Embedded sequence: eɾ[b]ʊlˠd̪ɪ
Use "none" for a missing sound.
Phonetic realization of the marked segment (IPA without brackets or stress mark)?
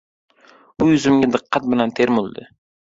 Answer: m